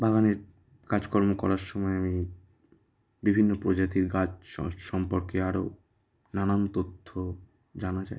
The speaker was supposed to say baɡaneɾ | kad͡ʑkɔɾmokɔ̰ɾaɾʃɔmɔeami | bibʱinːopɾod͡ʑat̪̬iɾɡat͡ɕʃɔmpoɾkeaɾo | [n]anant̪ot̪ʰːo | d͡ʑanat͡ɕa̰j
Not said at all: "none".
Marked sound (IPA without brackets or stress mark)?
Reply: n